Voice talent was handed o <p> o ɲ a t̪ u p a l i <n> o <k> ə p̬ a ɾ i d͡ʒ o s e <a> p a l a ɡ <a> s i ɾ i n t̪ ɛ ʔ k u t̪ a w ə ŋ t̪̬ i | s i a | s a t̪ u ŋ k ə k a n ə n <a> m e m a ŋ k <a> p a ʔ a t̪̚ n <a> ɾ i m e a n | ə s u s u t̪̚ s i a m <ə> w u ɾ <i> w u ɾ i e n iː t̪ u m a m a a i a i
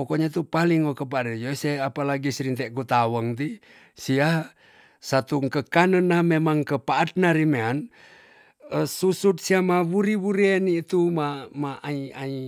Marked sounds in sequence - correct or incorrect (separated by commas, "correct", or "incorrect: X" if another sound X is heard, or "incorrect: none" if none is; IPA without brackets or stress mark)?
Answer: incorrect: k, incorrect: ŋ, correct, correct, incorrect: i, correct, incorrect: ə, correct, incorrect: a, correct